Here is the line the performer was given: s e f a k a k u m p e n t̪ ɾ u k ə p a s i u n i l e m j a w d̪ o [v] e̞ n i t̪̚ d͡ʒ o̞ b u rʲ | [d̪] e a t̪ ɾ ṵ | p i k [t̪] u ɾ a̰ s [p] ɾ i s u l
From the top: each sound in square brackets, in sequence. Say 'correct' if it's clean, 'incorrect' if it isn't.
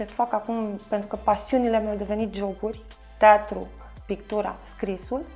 correct, incorrect: t̪, correct, incorrect: k

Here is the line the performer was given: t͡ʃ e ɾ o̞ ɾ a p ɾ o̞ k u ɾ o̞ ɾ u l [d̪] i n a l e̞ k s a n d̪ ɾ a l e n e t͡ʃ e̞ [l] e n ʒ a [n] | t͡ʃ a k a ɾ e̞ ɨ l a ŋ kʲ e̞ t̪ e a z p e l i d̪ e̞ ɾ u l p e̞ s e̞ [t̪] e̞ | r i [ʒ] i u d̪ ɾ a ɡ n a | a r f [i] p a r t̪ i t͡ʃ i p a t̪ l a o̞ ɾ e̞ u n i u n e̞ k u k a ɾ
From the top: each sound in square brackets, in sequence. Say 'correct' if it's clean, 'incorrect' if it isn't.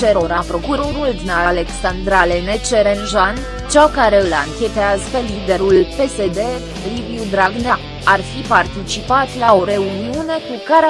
correct, incorrect: ɾ, correct, incorrect: d̪, incorrect: v, correct

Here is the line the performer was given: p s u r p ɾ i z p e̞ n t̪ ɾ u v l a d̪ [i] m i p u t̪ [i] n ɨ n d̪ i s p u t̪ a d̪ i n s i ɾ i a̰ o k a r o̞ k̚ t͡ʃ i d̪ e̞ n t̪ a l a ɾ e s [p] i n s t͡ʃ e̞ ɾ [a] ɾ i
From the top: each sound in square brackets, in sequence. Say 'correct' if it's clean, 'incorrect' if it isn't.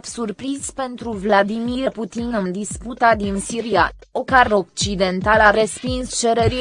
correct, correct, correct, incorrect: e

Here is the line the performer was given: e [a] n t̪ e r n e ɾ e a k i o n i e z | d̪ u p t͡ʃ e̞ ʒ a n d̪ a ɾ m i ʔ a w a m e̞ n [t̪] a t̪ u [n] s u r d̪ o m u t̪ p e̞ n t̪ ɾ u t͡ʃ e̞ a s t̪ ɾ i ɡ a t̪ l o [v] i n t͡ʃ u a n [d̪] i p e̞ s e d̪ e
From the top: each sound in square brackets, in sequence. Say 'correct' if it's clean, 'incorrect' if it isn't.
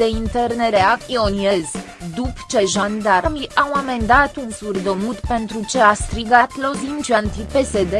incorrect: i, incorrect: d̪, correct, incorrect: z, incorrect: t̪

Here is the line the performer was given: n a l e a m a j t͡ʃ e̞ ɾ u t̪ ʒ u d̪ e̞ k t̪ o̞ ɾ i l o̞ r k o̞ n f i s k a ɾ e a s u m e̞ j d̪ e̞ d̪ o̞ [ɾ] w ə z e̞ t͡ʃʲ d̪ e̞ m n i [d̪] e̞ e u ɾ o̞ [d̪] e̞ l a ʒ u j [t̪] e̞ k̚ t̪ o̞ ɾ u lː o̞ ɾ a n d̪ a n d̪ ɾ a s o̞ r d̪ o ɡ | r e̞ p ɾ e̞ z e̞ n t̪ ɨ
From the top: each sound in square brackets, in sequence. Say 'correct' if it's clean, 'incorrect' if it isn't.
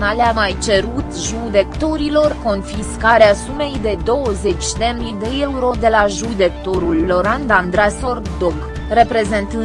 incorrect: none, correct, correct, incorrect: d̪

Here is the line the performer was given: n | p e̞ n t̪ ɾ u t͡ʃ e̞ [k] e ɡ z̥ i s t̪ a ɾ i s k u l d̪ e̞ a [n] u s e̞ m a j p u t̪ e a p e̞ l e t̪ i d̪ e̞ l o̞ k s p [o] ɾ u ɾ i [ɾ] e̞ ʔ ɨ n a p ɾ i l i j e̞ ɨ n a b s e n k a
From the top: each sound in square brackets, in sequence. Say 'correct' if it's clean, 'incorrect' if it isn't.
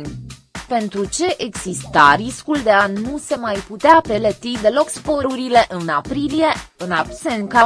incorrect: ʔ, correct, correct, incorrect: l

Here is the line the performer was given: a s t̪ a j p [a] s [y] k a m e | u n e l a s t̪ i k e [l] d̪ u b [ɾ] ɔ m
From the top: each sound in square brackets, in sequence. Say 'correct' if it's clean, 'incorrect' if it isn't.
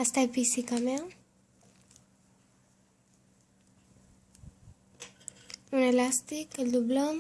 incorrect: i, incorrect: i, correct, incorrect: l

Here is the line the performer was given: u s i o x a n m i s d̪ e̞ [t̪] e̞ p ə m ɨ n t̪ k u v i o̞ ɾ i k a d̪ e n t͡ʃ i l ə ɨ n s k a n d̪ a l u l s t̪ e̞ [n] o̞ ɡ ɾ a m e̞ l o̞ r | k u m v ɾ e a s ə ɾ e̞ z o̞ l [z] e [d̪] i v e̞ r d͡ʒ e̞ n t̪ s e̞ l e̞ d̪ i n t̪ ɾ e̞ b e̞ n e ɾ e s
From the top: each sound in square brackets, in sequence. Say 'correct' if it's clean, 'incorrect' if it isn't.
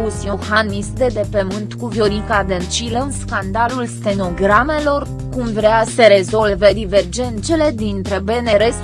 incorrect: d̪, correct, incorrect: v, correct

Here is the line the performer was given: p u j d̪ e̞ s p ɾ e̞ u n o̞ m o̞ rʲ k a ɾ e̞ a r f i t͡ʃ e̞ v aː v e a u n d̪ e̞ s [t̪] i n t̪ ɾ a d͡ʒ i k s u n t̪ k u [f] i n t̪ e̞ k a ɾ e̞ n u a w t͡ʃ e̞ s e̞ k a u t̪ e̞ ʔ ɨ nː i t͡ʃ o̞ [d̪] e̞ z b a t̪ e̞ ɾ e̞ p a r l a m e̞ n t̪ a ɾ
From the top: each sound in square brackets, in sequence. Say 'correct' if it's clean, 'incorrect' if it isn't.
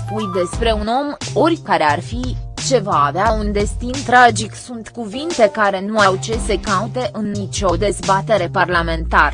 correct, incorrect: v, correct

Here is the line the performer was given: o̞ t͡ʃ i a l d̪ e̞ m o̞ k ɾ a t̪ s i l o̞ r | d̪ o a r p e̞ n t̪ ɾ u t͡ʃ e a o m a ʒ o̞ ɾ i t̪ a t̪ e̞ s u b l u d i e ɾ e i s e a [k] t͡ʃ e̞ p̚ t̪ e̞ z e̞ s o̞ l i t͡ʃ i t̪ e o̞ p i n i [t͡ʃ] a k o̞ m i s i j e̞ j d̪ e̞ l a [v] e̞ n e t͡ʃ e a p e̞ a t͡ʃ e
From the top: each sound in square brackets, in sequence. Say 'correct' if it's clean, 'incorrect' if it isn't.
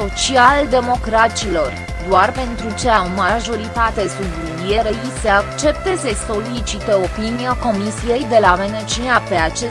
correct, incorrect: none, correct

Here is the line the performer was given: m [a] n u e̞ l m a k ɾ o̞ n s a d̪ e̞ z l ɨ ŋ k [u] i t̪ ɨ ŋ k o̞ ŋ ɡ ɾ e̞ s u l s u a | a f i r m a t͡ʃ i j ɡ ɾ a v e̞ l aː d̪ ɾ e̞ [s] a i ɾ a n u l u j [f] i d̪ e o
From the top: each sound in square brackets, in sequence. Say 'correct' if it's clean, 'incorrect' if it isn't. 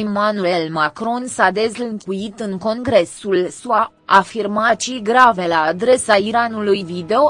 correct, correct, correct, incorrect: v

